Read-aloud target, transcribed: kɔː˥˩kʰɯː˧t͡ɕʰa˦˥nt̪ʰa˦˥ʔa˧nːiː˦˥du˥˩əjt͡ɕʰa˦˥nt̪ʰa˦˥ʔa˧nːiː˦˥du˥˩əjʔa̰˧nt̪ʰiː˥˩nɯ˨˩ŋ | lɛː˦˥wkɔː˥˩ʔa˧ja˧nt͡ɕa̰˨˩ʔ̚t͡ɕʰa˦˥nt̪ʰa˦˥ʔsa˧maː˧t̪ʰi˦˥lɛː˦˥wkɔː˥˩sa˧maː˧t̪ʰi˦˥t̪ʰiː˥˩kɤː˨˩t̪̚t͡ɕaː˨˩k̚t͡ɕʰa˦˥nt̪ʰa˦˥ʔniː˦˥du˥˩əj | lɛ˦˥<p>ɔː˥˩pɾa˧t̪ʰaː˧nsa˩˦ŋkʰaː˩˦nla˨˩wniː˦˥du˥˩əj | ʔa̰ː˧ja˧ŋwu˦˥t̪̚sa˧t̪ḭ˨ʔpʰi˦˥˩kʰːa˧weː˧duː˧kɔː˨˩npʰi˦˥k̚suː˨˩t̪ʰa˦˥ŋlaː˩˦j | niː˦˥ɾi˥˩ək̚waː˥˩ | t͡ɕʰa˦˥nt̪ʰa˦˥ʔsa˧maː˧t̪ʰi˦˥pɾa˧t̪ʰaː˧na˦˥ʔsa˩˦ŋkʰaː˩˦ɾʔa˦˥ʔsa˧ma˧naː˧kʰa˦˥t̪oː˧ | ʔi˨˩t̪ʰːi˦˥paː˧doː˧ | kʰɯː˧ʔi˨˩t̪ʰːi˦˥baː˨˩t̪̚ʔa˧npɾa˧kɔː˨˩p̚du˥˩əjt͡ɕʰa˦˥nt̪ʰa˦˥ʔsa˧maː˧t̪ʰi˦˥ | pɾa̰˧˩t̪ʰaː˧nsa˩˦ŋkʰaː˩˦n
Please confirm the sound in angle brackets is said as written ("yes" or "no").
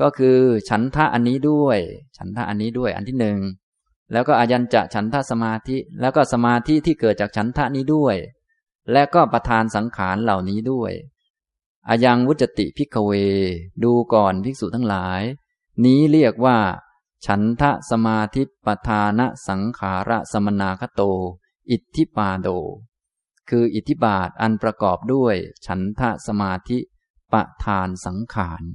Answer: no